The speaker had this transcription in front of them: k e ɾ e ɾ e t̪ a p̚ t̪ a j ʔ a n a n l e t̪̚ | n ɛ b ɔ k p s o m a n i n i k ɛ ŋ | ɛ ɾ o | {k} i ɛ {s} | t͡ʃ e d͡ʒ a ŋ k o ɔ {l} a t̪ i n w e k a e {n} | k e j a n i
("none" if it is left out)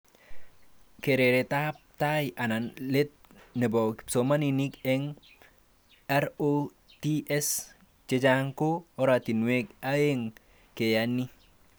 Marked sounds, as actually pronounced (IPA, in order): t, s, ɾ, ŋ

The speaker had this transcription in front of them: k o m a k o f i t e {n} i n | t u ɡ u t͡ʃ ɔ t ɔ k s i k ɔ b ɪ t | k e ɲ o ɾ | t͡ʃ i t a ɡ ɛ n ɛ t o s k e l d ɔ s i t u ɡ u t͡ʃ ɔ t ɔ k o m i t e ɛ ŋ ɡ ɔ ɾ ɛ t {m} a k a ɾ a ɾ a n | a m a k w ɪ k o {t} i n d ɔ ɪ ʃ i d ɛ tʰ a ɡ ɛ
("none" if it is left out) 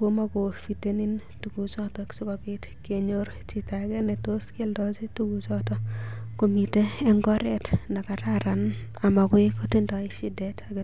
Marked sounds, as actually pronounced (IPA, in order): n, n, t

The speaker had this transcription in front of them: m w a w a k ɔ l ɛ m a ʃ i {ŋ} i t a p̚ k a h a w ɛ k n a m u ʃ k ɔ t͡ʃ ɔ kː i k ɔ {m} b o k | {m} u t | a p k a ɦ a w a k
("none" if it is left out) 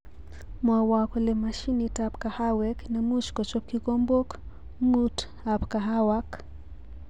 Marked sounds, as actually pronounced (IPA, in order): n, m, ŋ

